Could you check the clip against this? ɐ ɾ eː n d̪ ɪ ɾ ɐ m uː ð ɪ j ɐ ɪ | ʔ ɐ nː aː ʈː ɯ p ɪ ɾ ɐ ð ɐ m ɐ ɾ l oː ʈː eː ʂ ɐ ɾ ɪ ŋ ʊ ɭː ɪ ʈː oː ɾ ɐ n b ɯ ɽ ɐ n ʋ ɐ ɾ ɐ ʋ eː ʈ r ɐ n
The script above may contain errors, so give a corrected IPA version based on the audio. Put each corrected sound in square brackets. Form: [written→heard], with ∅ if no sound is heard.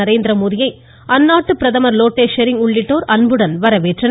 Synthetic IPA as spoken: ɐ ɾ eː n d̪ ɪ ɾ ɐ m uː ð ɪ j ɐ ɪ | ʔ ɐ nː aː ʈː ɯ p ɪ ɾ ɐ ð ɐ m ɐ ɾ l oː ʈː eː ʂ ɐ ɾ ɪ ŋ ʊ ɭː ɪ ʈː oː ɾ ɐ n b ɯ ɽ ɐ n ʋ ɐ ɾ ɐ ʋ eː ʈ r ɐ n